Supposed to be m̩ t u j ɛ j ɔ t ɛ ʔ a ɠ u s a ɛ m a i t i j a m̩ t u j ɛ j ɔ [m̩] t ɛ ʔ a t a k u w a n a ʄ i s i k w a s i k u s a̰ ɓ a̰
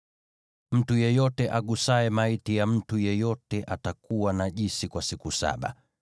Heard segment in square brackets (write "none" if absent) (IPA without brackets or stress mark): none